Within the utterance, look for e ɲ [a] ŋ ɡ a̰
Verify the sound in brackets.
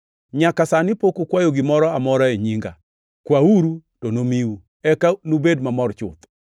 incorrect: i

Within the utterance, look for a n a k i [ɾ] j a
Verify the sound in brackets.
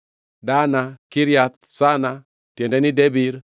correct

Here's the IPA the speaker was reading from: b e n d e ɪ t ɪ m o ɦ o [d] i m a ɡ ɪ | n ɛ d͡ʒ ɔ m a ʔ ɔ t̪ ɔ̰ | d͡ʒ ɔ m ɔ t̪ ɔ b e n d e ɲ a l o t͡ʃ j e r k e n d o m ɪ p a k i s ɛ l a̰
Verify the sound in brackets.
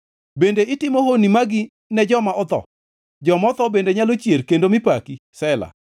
incorrect: n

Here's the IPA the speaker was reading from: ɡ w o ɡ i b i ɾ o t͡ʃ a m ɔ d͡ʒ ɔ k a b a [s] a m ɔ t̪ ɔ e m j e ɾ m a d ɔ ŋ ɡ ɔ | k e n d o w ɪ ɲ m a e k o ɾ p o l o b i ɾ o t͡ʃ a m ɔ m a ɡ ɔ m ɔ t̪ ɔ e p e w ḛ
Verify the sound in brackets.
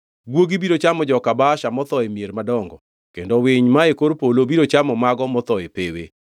incorrect: ʃ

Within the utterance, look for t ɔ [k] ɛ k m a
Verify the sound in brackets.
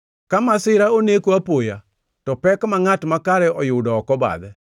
incorrect: p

